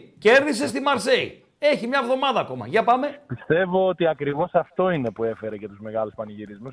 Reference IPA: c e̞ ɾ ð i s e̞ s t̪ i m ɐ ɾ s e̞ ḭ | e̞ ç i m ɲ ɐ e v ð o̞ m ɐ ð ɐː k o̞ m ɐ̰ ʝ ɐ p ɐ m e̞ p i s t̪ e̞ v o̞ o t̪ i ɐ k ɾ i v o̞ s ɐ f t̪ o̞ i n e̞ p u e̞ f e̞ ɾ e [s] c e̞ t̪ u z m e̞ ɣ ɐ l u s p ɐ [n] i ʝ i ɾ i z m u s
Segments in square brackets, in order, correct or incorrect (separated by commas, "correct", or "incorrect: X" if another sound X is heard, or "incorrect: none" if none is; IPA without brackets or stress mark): incorrect: none, correct